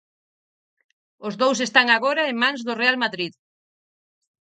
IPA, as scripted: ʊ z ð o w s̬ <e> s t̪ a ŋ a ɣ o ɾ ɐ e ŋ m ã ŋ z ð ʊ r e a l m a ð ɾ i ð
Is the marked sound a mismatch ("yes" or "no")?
no